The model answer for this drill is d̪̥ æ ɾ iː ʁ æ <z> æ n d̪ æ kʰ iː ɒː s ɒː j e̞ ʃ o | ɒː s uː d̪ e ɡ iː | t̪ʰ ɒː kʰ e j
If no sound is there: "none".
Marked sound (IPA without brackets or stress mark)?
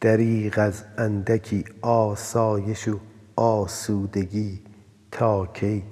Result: z